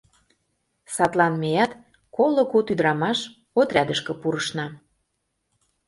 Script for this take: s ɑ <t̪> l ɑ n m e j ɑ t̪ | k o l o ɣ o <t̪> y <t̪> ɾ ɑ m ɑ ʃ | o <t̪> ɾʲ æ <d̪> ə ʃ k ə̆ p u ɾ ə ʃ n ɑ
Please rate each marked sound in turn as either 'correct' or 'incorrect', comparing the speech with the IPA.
correct, correct, incorrect, correct, correct

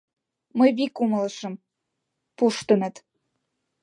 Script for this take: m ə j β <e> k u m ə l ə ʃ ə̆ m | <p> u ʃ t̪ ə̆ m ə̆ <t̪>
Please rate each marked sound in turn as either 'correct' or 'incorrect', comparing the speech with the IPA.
incorrect, correct, correct

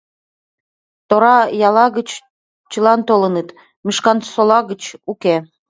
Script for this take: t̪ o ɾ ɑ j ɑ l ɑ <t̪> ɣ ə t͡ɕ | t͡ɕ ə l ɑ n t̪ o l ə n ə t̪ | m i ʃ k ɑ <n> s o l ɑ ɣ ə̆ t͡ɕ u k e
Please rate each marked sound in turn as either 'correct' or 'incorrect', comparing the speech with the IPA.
incorrect, correct

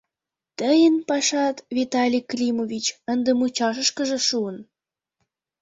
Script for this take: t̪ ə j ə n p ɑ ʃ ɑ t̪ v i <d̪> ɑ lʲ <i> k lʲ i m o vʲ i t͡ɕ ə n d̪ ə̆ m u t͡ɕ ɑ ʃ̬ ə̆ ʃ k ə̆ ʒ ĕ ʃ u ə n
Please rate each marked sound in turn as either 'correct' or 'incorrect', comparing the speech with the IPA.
incorrect, correct

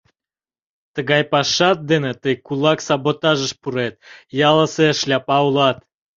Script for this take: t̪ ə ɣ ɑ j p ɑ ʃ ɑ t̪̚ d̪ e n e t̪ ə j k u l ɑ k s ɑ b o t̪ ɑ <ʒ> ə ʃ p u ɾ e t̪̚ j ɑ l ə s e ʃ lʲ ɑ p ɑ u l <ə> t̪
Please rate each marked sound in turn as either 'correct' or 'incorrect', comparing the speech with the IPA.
correct, incorrect

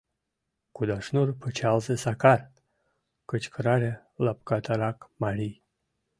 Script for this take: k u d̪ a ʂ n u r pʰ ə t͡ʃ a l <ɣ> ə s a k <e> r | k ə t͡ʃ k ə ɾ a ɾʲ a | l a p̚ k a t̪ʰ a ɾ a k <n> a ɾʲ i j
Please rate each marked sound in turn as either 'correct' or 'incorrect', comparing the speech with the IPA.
incorrect, incorrect, incorrect

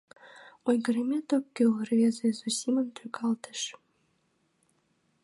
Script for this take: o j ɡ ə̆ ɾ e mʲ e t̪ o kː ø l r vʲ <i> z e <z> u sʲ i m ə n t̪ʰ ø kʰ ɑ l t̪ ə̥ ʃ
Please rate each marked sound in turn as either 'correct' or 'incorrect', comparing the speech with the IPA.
incorrect, correct

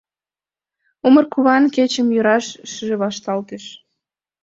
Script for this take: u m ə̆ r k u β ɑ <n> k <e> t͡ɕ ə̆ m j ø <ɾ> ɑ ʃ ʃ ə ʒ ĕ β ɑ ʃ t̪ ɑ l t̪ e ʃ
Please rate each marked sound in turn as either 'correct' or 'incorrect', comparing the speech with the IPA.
correct, correct, correct

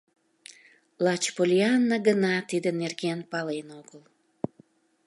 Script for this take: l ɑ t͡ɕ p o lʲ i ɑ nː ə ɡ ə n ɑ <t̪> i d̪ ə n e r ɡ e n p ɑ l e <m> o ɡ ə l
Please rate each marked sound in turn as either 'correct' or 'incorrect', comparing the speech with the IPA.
correct, incorrect

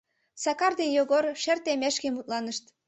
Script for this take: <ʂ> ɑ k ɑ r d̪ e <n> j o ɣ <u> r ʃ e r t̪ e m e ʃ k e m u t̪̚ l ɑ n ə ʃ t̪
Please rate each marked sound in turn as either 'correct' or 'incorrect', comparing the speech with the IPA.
incorrect, correct, incorrect

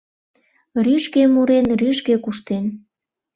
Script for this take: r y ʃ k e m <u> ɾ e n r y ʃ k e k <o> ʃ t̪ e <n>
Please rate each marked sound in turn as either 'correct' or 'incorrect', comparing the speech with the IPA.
correct, incorrect, correct

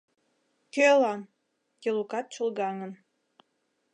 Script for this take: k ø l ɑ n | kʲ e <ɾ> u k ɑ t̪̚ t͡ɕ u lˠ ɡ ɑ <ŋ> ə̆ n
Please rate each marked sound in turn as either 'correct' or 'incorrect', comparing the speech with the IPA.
incorrect, correct

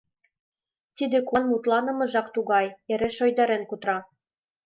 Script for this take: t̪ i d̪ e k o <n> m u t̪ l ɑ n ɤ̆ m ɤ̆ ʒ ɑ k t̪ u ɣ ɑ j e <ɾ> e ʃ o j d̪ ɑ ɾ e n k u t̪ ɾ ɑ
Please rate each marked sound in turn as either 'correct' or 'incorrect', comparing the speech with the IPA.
correct, correct

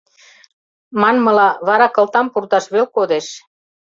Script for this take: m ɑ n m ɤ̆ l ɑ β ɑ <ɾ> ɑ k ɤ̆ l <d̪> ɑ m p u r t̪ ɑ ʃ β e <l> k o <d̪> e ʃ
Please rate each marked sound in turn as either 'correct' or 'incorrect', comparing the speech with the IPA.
correct, incorrect, correct, correct

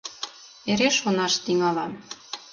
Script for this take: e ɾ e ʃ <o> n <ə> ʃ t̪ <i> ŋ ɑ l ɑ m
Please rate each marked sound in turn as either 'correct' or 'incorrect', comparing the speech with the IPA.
correct, incorrect, correct

